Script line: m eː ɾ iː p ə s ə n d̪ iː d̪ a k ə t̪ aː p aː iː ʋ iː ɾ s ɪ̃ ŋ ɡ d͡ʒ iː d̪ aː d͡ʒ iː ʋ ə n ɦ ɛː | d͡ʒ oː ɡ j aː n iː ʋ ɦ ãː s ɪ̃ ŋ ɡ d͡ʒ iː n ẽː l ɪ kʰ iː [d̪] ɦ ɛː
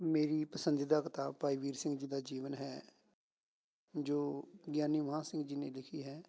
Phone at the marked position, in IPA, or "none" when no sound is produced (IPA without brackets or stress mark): none